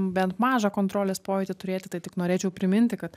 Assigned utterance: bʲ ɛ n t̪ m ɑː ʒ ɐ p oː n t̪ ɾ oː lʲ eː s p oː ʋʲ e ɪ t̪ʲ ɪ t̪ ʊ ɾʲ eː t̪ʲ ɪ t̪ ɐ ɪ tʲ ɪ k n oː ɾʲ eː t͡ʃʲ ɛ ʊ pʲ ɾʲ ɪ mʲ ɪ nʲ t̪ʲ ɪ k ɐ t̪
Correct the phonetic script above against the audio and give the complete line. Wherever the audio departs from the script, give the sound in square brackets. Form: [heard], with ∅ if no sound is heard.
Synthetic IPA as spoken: bʲ ɛ n t̪ m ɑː ʒ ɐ [k] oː n t̪ ɾ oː lʲ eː s p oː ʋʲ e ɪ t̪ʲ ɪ t̪ ʊ ɾʲ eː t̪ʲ ɪ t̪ ɐ ɪ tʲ ɪ k n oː ɾʲ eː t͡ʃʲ ɛ ʊ pʲ ɾʲ ɪ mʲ ɪ nʲ t̪ʲ ɪ k ɐ t̪